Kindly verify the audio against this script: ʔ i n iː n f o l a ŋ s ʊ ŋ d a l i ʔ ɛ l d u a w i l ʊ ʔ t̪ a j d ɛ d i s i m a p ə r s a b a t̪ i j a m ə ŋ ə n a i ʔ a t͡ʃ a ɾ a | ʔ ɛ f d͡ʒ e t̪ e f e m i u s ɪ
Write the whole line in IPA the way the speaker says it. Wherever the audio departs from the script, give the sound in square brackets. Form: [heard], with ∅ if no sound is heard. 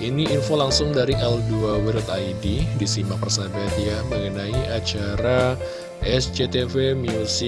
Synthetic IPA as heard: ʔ i n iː n f o l a ŋ s ʊ ŋ d a [ɾ] i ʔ ɛ l d u a w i [ɾ] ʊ [∅] t̪ a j d [i] d i s i m a p ə r s a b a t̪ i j a m ə ŋ ə n a i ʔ a t͡ʃ a ɾ a | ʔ ɛ [s] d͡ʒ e t̪ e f e m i u s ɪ